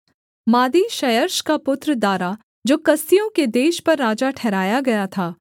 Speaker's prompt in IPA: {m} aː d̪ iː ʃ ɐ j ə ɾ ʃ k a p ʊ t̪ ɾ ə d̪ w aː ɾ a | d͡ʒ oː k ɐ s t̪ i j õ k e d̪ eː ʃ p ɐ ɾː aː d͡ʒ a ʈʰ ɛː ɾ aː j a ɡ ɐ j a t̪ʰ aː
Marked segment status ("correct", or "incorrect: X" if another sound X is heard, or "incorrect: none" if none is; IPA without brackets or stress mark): correct